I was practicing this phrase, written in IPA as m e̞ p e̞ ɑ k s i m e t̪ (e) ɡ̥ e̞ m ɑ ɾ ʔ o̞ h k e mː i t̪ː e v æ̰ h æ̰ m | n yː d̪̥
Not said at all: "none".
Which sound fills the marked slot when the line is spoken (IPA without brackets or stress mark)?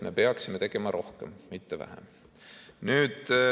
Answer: e